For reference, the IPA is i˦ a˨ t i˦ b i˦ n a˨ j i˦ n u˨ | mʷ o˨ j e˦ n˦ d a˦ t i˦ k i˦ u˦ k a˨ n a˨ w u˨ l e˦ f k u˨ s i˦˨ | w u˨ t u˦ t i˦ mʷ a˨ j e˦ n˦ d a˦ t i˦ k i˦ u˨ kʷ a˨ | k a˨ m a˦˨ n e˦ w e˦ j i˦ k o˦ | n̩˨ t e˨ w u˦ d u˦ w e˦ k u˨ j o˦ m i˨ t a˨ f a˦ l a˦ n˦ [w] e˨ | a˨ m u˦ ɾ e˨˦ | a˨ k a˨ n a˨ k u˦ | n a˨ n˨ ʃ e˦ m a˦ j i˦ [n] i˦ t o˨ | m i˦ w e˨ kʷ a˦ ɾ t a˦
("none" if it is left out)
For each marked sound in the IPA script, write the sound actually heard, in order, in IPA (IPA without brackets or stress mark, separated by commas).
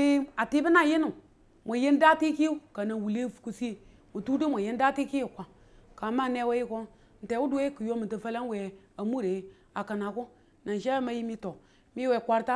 w, m